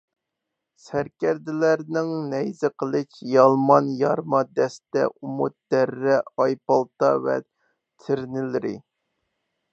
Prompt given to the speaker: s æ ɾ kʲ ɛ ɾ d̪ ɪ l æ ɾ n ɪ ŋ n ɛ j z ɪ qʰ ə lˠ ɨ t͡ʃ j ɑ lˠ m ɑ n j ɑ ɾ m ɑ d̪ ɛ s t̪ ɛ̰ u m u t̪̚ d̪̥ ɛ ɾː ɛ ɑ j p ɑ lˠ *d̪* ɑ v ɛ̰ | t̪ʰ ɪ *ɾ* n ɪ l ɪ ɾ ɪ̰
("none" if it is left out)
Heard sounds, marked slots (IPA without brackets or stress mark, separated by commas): t̪, ɾ